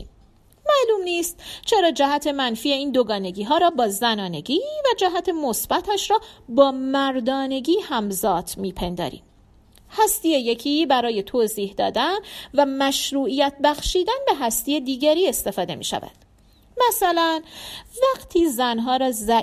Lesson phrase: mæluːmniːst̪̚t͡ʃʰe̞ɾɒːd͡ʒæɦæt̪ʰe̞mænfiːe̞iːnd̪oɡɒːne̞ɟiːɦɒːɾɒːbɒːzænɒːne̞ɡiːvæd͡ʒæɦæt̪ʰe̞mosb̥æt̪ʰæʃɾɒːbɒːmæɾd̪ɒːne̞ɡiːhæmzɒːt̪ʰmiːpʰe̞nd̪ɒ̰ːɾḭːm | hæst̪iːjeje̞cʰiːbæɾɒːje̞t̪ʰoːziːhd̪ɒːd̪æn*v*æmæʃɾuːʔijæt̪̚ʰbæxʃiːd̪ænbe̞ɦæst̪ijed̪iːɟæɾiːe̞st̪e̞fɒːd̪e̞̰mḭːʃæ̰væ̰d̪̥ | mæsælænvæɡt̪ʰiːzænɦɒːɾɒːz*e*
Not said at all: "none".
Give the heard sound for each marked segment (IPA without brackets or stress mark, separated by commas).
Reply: v, æ